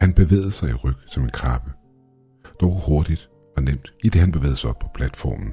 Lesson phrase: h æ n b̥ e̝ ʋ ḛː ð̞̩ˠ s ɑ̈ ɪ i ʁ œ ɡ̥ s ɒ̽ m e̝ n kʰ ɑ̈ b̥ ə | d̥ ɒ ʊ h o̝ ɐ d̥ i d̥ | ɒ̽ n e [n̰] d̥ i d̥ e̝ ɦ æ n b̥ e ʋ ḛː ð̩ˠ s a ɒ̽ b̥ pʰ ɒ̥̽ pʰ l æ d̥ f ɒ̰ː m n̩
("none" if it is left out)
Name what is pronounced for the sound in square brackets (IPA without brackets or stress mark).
m̰